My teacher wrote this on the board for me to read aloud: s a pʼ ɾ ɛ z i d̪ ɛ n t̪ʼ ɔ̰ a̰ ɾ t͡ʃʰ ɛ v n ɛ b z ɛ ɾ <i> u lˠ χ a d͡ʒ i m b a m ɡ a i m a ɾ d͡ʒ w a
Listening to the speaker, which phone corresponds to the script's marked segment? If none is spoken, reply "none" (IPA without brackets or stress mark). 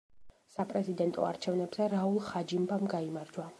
a